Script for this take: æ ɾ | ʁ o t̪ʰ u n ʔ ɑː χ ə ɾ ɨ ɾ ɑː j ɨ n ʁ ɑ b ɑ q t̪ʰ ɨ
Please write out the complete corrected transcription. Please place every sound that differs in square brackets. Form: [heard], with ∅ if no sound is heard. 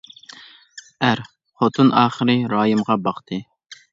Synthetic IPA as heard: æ ɾ | [χ] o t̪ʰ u n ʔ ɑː χ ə ɾ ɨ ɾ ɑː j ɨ [m] ʁ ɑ b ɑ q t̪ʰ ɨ